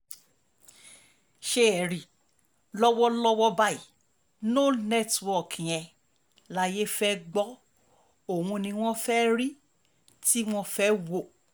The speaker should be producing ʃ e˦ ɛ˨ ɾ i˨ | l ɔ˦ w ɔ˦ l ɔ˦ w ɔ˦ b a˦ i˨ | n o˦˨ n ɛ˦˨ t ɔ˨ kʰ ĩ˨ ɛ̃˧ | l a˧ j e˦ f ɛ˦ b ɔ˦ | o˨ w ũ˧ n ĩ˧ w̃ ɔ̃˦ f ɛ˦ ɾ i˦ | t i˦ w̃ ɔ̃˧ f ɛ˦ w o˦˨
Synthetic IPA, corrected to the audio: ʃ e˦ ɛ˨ ɾ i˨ | l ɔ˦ w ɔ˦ l ɔ˦ w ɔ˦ b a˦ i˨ | n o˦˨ n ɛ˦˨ t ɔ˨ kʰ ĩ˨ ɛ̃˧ | l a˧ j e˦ f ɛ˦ ɡ͡b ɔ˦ | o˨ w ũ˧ n ĩ˧ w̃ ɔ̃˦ f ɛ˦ ɾ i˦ | t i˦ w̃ ɔ̃˧ f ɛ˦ w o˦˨

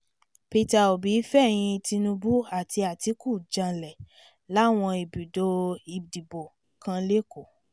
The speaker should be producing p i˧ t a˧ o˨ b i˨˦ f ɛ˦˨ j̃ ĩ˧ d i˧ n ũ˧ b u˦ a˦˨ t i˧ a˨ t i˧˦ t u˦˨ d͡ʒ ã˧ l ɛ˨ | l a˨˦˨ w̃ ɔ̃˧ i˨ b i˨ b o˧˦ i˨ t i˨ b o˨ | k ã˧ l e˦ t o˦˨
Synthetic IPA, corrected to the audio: p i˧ t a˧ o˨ b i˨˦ f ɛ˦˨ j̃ ĩ˧ t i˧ n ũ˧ b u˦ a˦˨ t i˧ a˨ t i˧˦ k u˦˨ d͡ʒ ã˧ l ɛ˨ | l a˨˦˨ w̃ ɔ̃˧ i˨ b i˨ d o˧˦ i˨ d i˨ b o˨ | k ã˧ l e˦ k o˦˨

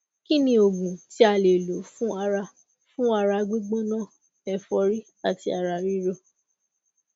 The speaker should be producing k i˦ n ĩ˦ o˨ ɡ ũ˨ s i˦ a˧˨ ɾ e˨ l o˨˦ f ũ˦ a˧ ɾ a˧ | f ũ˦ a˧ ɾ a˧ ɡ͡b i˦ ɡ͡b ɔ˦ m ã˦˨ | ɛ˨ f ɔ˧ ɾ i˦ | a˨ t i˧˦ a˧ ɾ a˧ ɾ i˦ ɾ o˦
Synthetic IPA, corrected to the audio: k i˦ n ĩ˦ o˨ ɡ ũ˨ t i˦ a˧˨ l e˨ l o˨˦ f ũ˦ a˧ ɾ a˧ | f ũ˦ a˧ ɾ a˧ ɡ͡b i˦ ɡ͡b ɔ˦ n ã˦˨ | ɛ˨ f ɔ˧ ɾ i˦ | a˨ t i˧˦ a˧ ɾ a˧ ɾ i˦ ɾ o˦

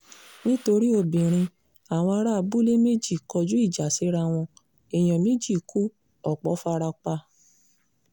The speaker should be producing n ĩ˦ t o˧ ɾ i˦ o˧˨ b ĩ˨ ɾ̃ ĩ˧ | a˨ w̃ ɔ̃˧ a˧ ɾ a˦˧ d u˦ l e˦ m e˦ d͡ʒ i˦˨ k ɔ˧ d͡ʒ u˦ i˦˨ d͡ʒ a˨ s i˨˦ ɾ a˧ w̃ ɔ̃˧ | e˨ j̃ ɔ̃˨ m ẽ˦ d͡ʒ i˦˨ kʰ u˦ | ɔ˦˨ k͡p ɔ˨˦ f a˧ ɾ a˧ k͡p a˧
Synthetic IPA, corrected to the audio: n ĩ˦ t o˧ ɾ i˦ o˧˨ b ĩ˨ ɾ̃ ĩ˧ | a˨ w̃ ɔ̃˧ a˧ ɾ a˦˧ b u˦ l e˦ m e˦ d͡ʒ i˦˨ k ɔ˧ d͡ʒ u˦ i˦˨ d͡ʒ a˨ s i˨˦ ɾ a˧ w̃ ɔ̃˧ | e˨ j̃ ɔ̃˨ m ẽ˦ d͡ʒ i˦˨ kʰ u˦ | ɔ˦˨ k͡p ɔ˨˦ f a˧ ɾ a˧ k͡p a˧

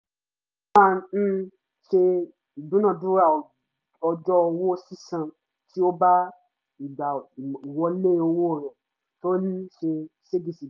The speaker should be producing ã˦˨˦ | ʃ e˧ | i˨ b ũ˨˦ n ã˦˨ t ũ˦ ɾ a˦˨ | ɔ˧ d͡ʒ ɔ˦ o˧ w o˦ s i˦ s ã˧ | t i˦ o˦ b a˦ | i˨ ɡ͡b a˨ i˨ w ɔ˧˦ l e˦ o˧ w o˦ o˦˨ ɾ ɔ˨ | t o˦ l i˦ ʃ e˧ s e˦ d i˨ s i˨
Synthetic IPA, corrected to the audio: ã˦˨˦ | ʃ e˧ | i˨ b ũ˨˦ n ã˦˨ d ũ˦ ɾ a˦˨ | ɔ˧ d͡ʒ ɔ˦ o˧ w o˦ s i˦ s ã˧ | t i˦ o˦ b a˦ | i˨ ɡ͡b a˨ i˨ w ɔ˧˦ l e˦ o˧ w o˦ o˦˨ ɾ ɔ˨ | t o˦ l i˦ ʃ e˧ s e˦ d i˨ s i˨

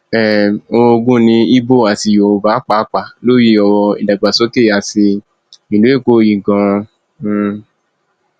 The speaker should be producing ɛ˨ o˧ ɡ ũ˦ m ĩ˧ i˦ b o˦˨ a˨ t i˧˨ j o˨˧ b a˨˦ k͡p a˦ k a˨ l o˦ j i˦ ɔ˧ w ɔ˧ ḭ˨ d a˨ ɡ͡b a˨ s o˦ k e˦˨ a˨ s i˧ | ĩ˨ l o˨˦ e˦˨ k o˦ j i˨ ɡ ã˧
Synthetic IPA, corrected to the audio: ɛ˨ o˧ ɡ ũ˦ n ĩ˧ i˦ b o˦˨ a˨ t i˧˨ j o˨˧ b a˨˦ k͡p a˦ k͡p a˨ l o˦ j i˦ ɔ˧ w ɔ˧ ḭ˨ d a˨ ɡ͡b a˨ s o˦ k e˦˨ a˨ s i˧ | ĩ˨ l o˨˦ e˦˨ k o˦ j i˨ ɡ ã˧

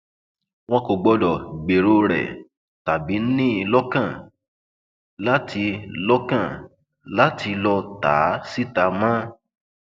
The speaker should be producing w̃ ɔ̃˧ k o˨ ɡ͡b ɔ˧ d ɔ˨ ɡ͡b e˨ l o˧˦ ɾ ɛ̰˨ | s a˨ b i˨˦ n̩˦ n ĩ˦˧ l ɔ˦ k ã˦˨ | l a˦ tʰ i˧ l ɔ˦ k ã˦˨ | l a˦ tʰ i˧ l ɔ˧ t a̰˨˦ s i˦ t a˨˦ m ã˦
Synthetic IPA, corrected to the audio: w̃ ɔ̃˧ k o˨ ɡ͡b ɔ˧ d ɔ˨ ɡ͡b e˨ ɾ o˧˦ ɾ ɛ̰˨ | t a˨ b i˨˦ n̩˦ n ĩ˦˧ l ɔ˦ k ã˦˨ | l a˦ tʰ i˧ l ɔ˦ k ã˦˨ | l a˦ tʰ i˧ l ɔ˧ t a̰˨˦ s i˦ t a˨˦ m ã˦

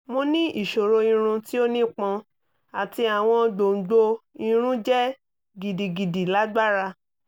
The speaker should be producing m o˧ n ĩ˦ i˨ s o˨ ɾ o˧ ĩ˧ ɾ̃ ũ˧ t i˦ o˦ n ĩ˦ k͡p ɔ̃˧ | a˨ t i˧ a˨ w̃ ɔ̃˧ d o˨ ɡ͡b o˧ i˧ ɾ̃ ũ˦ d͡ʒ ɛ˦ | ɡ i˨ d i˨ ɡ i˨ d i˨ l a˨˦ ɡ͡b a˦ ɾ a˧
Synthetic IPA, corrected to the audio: m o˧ n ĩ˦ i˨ ʃ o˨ ɾ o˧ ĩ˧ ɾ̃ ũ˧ t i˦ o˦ n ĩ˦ k͡p ɔ̃˧ | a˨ t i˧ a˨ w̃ ɔ̃˧ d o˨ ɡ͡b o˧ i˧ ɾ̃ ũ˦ d͡ʒ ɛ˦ | ɡ i˨ d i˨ ɡ i˨ d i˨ l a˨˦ ɡ͡b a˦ ɾ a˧

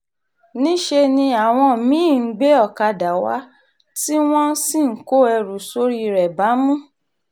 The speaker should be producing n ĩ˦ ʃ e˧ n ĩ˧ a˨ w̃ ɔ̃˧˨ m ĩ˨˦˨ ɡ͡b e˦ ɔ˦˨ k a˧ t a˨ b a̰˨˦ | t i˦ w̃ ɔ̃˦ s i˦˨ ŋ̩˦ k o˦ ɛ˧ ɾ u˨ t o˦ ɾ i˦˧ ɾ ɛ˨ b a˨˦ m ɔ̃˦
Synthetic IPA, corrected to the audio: n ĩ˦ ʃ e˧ n ĩ˧ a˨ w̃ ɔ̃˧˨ m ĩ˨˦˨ ɡ͡b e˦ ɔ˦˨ k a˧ d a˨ w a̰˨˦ | t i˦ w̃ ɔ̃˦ s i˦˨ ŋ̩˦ k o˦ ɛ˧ ɾ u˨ s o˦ ɾ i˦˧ ɾ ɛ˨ b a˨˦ m ũ˦

